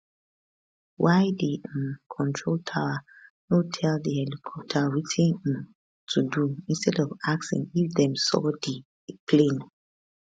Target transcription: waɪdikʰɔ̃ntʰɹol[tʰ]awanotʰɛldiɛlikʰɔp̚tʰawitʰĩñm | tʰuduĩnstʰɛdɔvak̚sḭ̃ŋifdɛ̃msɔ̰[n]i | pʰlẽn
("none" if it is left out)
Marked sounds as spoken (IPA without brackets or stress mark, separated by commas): tʰ, d